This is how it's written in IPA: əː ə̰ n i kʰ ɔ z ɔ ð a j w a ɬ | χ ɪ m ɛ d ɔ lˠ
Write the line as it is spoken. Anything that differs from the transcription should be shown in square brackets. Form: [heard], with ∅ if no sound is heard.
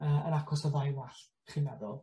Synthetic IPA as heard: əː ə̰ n [a] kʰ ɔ [s] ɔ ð a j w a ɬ | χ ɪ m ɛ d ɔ lˠ

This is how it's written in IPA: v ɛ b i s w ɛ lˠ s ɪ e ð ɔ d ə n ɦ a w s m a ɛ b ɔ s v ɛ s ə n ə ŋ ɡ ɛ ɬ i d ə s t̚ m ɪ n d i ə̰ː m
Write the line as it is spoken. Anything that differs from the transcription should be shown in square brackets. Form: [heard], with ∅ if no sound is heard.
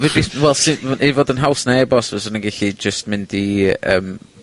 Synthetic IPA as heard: v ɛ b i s w ɛ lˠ s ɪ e [v] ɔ d ə n ɦ a w s [n] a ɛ b ɔ s v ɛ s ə n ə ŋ ɡ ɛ ɬ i [d͡ʒ] ə s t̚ m ɪ n d i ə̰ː m

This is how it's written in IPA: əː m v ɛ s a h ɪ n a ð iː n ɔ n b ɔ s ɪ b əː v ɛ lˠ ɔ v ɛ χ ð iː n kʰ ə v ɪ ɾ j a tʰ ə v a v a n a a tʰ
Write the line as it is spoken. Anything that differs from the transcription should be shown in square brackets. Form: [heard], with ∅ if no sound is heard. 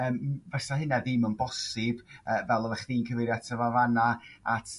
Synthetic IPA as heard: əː m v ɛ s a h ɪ n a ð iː [m] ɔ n b ɔ s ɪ b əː v ɛ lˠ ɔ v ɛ χ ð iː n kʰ ə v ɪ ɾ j a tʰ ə v a v a n a a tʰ

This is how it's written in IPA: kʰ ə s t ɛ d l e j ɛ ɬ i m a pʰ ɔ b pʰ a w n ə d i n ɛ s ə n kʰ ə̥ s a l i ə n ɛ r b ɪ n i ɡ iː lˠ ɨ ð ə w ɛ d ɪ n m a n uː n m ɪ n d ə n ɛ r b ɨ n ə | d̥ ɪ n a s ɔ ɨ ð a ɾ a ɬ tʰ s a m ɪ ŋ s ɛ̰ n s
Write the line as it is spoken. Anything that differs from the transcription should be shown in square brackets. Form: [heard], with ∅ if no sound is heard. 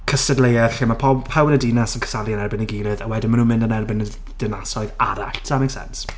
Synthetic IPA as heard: kʰ ə s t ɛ d l e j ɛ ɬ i m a pʰ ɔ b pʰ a w n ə d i n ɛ s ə n kʰ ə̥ s a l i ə n ɛ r b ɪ n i ɡ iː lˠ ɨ ð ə w ɛ d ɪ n m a n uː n m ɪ n d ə n ɛ r b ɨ n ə | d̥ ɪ n a s ɔ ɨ ð a ɾ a ɬ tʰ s a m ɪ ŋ s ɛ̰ n s

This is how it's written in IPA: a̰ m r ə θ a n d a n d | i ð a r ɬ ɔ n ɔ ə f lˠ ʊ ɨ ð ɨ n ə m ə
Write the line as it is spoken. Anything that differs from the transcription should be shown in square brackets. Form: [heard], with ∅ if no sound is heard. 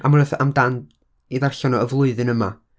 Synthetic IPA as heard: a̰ m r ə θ a [m] d a n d | i ð a r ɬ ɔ n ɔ ə [v] lˠ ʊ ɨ ð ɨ n ə m [a]

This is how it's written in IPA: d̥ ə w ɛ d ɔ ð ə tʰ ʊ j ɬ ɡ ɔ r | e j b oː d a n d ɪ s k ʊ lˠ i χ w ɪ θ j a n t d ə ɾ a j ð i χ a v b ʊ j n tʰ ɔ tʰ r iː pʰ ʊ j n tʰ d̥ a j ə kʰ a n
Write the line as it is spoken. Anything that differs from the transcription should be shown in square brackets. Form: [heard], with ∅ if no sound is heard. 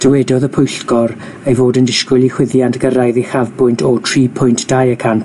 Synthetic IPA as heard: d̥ ə w ɛ d ɔ ð ə [pʰ] ʊ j ɬ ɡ ɔ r | e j [v] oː d [ə] n d ɪ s k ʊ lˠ i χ w ɪ [ð] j a n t [ɡ] ə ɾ a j ð i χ a v b ʊ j n tʰ ɔ tʰ r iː pʰ ʊ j n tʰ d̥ a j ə kʰ a n

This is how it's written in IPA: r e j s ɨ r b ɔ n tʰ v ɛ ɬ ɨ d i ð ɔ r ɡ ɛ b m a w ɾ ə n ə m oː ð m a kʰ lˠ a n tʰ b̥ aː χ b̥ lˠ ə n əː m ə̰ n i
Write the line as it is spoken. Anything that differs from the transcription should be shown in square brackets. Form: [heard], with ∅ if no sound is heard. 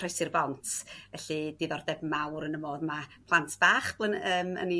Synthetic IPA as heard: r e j s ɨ r b ɔ n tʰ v ɛ ɬ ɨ d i ð ɔ r [d] ɛ b m a w ɾ ə n ə m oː ð m a [pʰ] lˠ a n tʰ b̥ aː χ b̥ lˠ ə n əː m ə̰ n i

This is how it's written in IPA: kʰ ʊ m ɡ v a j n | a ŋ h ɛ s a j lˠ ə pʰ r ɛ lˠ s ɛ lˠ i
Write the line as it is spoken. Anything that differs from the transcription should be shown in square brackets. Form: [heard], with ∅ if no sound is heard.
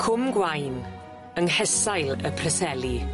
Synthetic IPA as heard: kʰ ʊ m ɡ [w] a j n | [ə] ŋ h ɛ s a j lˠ ə pʰ r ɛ [∅] s ɛ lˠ i

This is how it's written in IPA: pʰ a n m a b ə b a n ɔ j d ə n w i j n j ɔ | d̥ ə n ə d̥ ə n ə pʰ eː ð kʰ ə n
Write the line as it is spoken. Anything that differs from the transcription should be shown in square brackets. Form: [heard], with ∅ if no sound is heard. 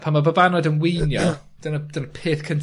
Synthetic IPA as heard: pʰ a n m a b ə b a n ɔ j d ə n w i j n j ɔ | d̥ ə n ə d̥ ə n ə pʰ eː [θ] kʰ ə n

